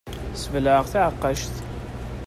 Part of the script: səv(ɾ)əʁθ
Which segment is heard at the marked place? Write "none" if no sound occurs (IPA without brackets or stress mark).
l